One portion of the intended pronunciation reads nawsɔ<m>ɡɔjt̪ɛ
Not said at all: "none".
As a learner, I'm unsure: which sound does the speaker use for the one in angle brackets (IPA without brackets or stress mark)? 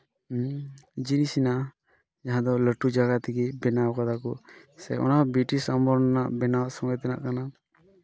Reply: ŋ